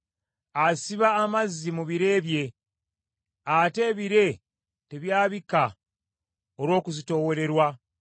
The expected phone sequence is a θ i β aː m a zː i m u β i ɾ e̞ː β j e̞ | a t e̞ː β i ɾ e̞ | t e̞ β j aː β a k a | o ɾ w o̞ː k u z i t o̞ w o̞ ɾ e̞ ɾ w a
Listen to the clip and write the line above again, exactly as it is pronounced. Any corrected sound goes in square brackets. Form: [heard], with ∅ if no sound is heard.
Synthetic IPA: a [s] i β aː m a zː i m u β i ɾ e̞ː β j e̞ | a t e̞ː β i ɾ e̞ | t e̞ β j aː β [i] k a | o ɾ w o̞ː k u z i t o̞ w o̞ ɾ e̞ ɾ w a